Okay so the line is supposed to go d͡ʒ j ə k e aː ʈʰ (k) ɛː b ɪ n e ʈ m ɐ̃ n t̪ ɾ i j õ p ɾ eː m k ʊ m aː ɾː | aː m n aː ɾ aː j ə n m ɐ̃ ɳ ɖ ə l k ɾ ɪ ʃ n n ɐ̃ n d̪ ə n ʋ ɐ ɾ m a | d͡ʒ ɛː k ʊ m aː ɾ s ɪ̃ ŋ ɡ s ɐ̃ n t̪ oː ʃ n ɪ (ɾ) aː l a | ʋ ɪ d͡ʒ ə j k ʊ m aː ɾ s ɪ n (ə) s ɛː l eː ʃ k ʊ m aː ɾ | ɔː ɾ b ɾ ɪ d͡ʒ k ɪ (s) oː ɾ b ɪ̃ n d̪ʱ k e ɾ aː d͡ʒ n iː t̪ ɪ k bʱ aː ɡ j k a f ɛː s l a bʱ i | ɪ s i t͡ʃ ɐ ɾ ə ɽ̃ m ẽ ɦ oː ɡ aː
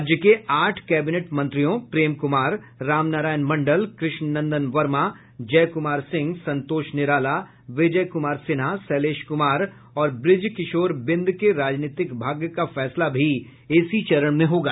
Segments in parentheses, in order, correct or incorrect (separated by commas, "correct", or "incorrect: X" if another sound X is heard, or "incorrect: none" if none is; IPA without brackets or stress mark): correct, correct, incorrect: a, incorrect: ʃ